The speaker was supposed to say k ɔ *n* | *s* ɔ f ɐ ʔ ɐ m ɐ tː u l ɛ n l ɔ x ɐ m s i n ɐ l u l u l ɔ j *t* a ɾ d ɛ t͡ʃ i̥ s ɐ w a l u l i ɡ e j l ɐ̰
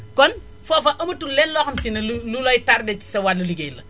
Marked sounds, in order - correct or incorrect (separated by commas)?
correct, incorrect, correct